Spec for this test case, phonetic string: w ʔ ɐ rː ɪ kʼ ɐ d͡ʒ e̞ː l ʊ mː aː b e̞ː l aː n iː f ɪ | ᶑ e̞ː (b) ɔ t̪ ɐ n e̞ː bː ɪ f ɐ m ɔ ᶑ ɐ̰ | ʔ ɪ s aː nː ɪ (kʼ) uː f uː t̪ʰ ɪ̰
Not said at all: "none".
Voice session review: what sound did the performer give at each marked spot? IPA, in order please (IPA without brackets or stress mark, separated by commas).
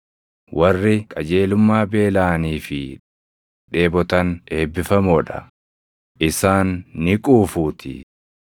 b, kʼ